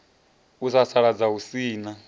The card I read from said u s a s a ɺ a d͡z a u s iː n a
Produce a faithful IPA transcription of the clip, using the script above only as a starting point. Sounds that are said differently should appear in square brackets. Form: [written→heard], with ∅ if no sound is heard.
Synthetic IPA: u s a s a ɺ a d͡z a u s iː n a